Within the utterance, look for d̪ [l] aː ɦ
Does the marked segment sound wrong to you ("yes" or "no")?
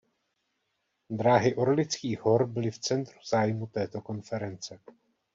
yes